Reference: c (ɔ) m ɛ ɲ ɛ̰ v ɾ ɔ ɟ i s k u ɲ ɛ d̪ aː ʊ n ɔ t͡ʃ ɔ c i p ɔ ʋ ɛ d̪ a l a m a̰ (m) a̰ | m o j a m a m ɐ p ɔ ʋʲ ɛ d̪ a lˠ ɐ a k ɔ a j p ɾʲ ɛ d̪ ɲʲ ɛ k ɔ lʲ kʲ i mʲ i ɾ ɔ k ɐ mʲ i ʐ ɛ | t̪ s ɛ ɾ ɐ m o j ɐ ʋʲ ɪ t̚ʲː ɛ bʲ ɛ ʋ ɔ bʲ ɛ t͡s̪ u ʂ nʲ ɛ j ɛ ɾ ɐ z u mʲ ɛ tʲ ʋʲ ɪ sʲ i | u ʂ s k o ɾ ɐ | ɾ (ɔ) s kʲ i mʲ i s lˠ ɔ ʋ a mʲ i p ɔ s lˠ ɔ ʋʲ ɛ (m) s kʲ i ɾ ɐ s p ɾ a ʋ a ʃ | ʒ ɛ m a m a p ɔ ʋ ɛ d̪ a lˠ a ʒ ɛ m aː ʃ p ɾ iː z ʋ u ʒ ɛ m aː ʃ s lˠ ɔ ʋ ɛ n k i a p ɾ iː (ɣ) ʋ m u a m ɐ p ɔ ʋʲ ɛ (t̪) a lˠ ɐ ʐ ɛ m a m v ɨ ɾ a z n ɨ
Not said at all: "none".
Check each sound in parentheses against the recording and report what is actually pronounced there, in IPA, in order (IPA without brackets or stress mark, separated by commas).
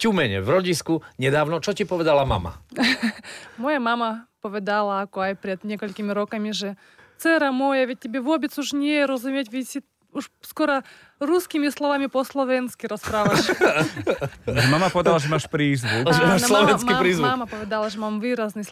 u, m, u, n, z, d̪